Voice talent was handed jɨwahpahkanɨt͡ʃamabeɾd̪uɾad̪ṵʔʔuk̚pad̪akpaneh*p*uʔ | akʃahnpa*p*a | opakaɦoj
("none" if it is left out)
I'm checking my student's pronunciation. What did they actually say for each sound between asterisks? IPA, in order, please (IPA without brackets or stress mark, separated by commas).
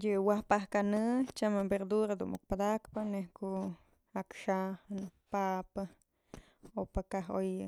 k, p